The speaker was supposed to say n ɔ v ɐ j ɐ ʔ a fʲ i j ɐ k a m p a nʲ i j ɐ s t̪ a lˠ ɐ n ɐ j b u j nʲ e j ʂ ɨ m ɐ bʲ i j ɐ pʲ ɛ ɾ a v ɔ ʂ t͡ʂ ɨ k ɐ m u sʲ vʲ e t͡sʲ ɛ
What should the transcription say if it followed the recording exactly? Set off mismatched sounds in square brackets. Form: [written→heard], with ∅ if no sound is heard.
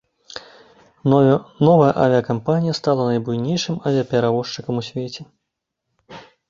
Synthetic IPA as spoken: n ɔ v ɐ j ɐ ʔ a [fʲ→vʲ] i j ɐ k a m p a nʲ i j ɐ s t̪ a lˠ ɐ n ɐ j b u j nʲ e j ʂ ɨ m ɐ [bʲ→vʲ] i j ɐ pʲ ɛ ɾ a v ɔ ʂ t͡ʂ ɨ k ɐ m u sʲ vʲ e t͡sʲ ɛ